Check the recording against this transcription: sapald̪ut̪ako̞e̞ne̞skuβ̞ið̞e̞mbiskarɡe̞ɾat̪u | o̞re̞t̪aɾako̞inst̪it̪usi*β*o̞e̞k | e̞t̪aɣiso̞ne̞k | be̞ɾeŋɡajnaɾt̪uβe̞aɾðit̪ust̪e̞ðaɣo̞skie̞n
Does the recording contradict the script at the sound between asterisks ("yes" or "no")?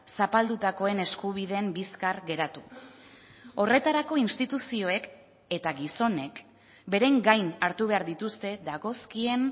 yes